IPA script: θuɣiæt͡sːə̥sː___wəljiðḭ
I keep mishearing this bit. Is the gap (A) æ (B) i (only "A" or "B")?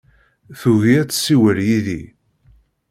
B